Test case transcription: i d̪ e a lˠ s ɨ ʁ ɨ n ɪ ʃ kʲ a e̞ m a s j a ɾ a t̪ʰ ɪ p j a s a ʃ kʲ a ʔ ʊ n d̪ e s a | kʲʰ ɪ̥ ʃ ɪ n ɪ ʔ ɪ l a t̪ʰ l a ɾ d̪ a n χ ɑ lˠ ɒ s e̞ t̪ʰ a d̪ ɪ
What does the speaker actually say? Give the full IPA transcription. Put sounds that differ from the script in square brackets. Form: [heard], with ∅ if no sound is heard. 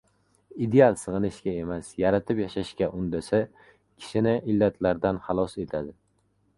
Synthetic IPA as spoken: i d̪ e a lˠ s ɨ ʁ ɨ n ɪ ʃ kʲ a e̞ m a s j a ɾ a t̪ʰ ɪ p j a [ʃ] a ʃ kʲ a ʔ ʊ n d̪ [a] s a | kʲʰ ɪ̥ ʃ ɪ n ɪ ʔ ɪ [lː] a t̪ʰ l a ɾ d̪ a n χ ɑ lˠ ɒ s e̞ t̪ʰ a d̪ ɪ